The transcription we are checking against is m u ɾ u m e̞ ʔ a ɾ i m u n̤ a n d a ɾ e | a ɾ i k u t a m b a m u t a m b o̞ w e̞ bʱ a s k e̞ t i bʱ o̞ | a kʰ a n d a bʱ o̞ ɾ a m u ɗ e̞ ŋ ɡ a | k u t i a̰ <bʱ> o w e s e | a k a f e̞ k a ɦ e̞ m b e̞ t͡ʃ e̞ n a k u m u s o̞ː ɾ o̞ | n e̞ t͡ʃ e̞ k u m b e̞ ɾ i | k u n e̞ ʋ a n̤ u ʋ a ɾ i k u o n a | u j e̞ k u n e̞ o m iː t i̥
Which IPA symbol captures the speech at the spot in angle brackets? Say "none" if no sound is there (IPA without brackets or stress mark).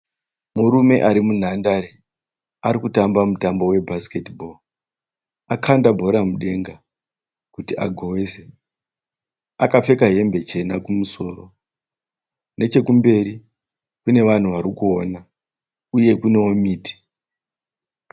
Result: ɡʱ